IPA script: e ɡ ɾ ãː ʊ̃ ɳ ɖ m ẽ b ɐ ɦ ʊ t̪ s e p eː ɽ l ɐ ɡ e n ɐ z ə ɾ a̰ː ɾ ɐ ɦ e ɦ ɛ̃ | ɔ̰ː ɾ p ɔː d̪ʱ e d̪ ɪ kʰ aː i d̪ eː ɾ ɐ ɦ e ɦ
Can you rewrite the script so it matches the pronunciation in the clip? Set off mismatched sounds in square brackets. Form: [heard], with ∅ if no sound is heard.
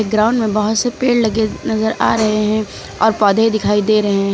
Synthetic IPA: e ɡ ɾ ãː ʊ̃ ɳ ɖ m ẽ b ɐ ɦ ʊ t̪ s e p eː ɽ l ɐ ɡ e n ɐ z ə ɾ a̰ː ɾ ɐ ɦ e ɦ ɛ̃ | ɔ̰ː ɾ p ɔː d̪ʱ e d̪ ɪ kʰ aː i d̪ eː ɾ ɐ ɦ e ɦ